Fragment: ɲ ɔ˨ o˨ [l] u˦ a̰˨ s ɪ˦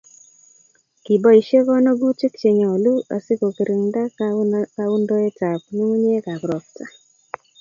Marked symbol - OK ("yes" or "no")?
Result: yes